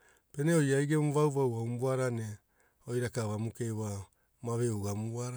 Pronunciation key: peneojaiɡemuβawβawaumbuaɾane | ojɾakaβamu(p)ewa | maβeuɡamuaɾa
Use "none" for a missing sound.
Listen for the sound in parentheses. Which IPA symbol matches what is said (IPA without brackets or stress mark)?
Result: k